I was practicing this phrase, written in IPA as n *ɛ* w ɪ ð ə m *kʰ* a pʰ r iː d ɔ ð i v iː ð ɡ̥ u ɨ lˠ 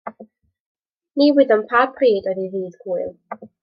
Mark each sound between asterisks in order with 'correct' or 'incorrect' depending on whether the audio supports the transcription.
incorrect, incorrect

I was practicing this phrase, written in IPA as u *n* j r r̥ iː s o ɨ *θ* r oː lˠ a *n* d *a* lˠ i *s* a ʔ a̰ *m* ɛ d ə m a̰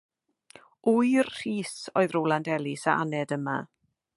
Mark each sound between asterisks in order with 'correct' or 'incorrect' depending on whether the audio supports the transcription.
incorrect, incorrect, correct, incorrect, correct, incorrect

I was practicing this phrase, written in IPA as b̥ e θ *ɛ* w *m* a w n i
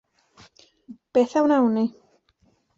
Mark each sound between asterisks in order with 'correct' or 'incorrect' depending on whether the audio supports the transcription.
incorrect, incorrect

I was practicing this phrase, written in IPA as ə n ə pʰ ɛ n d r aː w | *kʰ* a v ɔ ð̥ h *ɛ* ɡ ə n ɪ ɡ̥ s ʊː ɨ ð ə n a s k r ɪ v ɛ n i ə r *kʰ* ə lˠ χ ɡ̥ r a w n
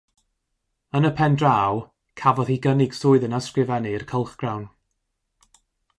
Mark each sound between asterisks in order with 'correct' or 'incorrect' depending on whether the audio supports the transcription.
correct, incorrect, correct

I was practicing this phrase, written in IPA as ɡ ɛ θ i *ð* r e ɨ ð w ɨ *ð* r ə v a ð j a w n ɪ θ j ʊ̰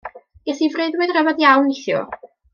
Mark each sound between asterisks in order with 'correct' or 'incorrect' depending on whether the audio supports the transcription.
incorrect, correct

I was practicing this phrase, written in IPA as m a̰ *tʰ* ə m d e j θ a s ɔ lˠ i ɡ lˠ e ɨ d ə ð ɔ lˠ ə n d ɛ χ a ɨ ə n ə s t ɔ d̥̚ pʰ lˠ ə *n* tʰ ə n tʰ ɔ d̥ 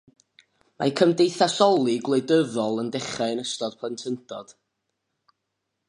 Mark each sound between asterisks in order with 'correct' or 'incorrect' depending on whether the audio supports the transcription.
incorrect, correct

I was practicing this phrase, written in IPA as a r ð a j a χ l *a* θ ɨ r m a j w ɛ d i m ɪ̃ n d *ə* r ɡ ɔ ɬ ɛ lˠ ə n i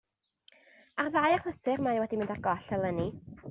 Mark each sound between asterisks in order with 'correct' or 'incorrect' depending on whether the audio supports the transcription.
incorrect, incorrect

